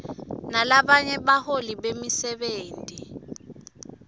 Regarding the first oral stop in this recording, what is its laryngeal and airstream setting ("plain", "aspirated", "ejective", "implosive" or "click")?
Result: implosive